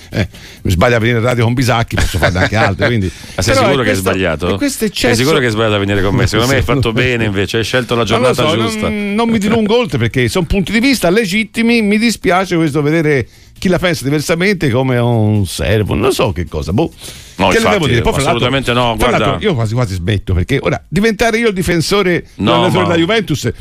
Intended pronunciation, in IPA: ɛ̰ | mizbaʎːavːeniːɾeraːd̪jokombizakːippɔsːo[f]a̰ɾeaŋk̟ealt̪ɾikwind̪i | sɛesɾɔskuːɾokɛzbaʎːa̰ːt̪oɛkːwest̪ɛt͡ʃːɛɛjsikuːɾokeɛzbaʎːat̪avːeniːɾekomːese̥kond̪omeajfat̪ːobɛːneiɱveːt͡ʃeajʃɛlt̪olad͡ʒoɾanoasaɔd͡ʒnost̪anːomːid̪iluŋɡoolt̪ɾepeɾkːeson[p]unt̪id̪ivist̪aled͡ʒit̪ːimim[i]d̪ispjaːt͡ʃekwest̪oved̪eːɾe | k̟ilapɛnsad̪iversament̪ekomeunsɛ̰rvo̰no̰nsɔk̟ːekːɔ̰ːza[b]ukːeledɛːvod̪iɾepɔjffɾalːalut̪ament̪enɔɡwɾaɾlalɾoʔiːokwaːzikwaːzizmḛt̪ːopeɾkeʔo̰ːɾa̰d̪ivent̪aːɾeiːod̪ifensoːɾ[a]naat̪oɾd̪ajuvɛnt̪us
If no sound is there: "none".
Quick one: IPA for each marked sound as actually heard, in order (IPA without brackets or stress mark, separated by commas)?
f, p, i, b, e